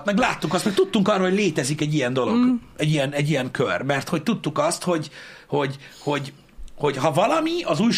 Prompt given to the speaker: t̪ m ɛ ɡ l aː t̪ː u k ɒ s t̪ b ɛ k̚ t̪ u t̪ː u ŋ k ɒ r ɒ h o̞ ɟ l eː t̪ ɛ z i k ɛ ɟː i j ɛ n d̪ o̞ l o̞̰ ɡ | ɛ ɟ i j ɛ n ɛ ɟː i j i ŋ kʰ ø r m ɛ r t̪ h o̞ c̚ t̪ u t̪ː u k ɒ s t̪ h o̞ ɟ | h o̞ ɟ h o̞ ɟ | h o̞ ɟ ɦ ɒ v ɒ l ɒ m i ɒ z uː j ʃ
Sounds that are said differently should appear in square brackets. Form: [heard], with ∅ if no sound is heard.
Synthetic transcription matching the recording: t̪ m ɛ ɡ l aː t̪ː u k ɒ s t̪ [m] ɛ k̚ t̪ u t̪ː u ŋ k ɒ r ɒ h o̞ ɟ l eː t̪ ɛ z i k ɛ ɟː i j ɛ n d̪ o̞ l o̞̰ ɡ | ɛ ɟ i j ɛ n ɛ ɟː i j [ɛ] ŋ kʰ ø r m ɛ r t̪ h o̞ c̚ t̪ u t̪ː u k ɒ s t̪ h o̞ ɟ | h o̞ ɟ h o̞ ɟ | h o̞ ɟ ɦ ɒ v ɒ l ɒ m i ɒ z uː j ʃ